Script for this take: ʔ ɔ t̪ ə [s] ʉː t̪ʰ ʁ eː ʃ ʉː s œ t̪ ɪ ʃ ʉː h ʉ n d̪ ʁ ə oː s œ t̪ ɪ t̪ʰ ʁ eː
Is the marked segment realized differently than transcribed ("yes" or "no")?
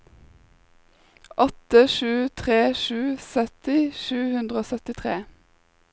yes